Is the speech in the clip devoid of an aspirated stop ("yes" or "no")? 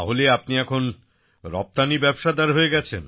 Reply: no